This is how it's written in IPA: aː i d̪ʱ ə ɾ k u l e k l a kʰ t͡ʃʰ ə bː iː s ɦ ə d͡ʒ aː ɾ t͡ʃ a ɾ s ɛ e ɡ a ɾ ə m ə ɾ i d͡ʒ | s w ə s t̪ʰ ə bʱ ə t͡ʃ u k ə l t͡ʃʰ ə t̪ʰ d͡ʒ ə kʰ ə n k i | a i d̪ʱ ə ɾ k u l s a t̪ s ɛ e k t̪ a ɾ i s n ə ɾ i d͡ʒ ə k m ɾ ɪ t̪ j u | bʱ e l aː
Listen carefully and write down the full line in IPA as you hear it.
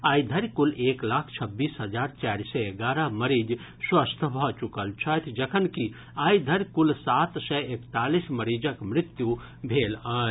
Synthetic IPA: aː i d̪ʱ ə ɾ k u l e k l a kʰ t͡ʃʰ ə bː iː s ɦ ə d͡ʒ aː ɾ t͡ʃ a ɾ s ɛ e ɡ a ɾ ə m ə ɾ i d͡ʒ | s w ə s t̪ʰ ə bʱ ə t͡ʃ u k ə l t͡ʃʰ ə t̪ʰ d͡ʒ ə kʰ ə n k i | a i d̪ʱ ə ɾ k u l s a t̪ s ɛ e k t̪ a l i s m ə ɾ i d͡ʒ ə k m ɾ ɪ t̪ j u | bʱ e l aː